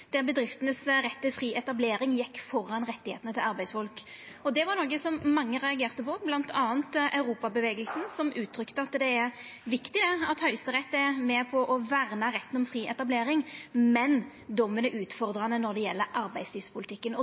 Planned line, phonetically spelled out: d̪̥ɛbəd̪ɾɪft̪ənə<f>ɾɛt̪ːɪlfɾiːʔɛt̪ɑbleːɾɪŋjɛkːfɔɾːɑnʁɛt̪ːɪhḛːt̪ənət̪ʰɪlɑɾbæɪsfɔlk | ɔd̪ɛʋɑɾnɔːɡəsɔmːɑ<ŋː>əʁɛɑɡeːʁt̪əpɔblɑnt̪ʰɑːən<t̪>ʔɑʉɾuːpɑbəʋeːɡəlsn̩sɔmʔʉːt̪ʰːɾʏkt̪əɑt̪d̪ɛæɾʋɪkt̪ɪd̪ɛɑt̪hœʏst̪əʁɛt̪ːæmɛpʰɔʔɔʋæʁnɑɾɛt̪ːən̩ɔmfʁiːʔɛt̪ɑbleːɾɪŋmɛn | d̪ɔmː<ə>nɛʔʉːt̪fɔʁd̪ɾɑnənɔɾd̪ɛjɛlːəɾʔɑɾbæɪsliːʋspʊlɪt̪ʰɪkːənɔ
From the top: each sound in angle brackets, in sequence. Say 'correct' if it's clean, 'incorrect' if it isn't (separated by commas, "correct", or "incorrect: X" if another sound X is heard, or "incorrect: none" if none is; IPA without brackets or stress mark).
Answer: incorrect: s, correct, correct, correct